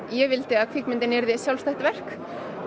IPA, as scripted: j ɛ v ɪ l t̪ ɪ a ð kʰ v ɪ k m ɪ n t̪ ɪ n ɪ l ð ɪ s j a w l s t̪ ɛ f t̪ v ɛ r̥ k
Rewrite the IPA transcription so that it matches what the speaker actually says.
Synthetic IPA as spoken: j ɛ v ɪ l t̪ ɪ a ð kʰ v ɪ k m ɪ n t̪ ɪ n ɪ ɾ ð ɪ s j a w l s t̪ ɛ h t̪ v ɛ r̥ k